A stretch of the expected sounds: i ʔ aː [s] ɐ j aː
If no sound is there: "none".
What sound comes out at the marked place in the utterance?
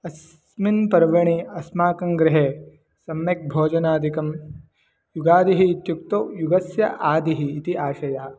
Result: ʃ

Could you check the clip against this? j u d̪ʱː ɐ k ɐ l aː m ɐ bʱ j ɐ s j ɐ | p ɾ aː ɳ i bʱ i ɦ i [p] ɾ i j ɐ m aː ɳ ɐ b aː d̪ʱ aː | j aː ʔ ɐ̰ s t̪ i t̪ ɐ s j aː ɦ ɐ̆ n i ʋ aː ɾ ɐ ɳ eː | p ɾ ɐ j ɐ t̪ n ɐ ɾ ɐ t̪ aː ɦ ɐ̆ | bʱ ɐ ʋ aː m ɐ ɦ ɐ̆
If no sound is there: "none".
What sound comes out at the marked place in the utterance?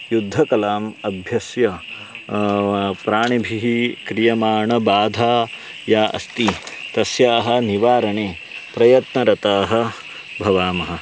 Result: k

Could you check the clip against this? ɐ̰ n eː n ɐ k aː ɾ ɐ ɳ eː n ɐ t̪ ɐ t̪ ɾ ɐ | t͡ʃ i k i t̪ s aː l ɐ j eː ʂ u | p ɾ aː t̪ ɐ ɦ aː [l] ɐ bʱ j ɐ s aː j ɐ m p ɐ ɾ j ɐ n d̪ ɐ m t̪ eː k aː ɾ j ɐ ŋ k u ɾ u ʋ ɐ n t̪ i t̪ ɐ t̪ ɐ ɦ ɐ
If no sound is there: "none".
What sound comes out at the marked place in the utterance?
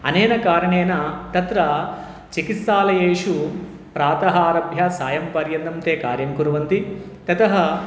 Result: ɾ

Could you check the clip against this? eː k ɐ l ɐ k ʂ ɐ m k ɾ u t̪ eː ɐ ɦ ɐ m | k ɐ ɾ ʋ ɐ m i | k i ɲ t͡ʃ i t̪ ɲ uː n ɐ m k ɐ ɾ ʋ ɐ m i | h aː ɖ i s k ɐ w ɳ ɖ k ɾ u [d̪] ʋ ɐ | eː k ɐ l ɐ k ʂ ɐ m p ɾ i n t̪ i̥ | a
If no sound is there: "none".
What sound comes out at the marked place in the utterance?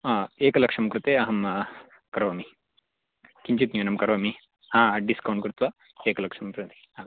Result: t̪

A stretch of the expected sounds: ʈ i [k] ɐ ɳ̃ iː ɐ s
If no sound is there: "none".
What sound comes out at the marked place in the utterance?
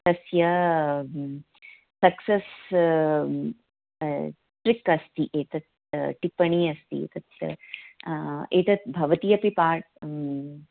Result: p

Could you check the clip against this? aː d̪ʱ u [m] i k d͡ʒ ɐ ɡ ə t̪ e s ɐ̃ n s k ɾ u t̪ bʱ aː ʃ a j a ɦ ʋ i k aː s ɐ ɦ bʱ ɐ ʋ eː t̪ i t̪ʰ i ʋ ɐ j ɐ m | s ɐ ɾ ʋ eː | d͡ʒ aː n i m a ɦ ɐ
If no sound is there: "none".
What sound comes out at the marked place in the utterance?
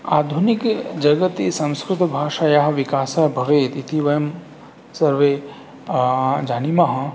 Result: n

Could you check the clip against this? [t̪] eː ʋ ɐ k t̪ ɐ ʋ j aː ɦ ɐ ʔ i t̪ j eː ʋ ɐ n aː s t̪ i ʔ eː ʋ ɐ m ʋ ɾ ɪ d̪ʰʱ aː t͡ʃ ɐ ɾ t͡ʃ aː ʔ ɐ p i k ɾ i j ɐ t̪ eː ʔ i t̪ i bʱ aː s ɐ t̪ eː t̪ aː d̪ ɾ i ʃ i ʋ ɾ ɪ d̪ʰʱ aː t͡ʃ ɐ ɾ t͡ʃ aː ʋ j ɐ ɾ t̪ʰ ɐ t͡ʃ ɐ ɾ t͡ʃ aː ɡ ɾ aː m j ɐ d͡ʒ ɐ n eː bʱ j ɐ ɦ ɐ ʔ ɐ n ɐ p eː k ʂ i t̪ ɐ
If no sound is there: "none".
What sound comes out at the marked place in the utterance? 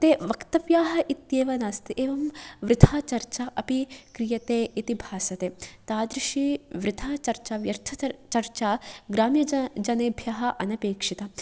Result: t̪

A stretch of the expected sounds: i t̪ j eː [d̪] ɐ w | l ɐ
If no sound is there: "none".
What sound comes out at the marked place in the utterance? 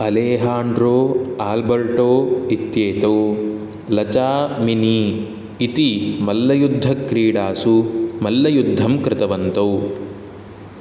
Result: t̪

